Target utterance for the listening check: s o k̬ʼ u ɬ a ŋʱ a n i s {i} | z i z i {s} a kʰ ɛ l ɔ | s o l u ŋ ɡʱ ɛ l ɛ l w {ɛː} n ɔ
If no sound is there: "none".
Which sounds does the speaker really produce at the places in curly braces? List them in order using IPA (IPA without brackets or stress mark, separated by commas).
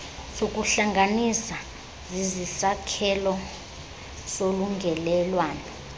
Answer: a, s, aː